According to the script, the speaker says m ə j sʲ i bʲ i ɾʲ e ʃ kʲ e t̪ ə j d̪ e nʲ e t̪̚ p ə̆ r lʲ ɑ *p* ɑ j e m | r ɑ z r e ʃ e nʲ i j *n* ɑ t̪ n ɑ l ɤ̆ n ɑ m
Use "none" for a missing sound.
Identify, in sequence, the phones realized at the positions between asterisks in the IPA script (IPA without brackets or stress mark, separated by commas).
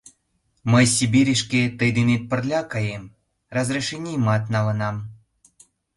k, m